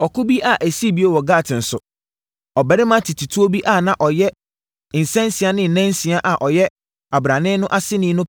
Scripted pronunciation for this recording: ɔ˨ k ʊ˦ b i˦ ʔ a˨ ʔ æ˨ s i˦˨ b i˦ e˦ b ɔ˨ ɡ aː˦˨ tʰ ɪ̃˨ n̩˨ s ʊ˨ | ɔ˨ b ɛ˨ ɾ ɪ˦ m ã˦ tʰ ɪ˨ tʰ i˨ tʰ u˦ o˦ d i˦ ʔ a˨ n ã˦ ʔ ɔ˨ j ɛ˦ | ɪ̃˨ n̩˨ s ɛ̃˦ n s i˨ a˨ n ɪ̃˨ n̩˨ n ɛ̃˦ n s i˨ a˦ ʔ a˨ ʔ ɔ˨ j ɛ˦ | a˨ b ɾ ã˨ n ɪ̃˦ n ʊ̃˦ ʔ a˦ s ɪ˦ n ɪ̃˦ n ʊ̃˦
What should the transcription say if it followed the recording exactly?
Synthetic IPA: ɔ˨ k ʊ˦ b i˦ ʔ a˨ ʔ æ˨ s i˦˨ b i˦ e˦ w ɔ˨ ɡ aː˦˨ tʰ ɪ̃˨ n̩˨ s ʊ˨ | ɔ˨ b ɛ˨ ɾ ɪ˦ m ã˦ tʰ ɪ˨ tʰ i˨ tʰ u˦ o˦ b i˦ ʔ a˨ n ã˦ ʔ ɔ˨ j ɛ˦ | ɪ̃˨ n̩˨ s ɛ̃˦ n s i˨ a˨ n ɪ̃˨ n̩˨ n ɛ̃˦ n s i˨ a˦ ʔ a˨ ʔ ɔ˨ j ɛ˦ | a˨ b ɾ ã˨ n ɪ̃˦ n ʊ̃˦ ʔ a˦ s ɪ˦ n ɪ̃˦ n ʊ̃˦